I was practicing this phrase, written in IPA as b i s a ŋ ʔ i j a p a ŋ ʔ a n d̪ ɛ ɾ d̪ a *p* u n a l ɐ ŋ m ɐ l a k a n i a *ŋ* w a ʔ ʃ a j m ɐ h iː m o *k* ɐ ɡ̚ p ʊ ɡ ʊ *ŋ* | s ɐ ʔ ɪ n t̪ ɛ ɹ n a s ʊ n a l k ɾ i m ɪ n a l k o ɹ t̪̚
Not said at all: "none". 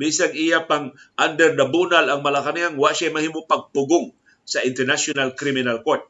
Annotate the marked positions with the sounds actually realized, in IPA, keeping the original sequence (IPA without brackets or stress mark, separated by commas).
b, ŋ, p, ŋ